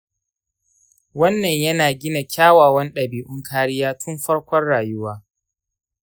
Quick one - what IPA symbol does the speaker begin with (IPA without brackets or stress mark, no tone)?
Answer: w